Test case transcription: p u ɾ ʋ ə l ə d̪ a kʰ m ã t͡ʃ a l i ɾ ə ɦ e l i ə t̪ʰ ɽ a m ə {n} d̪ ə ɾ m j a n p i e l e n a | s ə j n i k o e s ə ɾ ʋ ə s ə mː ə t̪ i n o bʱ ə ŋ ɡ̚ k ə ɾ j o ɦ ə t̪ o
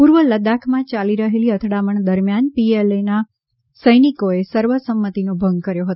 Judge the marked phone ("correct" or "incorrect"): incorrect